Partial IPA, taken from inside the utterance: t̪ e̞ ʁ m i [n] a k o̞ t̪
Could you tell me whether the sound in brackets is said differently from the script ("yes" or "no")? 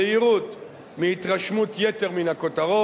no